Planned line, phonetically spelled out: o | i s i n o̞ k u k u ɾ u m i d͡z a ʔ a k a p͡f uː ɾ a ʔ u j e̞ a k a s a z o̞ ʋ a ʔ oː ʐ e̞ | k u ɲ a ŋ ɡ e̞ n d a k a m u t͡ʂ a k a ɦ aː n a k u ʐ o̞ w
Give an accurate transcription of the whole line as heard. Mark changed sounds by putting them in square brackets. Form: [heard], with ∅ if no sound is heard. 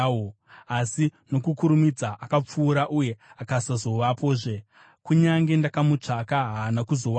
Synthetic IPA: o | [a] s i n o̞ k u k u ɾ u m i d͡z a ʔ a k a p͡f uː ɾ a ʔ u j e̞ a k a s a z o̞ ʋ a [p] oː ʐ e̞ | k u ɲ a ŋ ɡ e̞ n d a k a m u t͡ʂ a k a ɦ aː n a k u [z] o̞ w